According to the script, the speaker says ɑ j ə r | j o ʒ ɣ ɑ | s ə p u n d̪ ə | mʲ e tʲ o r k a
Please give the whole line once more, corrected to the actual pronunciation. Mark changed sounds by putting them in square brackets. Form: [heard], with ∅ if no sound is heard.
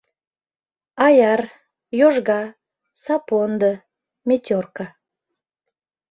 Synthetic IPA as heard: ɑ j [ɑ] r | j o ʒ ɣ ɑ | s [ɑ] p [o] n d̪ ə | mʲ e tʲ o r k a